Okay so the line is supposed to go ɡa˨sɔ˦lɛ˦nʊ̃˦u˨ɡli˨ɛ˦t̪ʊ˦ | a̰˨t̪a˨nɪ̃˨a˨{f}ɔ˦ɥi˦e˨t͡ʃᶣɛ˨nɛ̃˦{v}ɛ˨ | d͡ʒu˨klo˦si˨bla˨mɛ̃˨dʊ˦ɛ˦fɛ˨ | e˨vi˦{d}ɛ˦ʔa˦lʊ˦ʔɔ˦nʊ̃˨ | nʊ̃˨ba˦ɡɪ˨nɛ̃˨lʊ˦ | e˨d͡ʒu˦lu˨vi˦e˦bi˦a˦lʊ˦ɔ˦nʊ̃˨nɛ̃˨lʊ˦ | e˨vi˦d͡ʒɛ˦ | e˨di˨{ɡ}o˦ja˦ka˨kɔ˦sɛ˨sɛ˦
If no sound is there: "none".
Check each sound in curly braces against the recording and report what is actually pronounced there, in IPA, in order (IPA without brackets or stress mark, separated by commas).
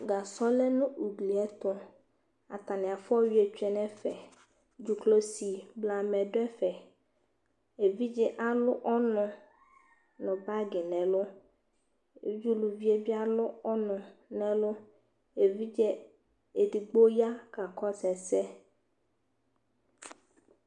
f, f, d͡ʒ, ɡ͡b